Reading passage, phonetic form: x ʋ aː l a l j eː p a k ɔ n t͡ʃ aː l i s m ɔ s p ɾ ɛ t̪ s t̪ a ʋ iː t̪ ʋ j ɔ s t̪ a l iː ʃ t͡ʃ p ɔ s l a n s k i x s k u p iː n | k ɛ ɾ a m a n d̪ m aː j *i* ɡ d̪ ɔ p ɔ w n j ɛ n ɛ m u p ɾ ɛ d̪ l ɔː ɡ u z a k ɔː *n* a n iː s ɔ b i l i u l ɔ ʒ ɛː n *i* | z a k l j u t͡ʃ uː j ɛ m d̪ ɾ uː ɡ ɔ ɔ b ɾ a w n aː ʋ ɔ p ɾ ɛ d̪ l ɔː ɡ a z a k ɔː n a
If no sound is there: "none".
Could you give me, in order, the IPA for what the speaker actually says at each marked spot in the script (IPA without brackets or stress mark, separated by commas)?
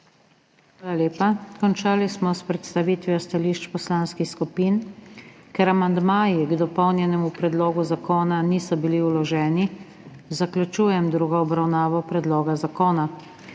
i, n, i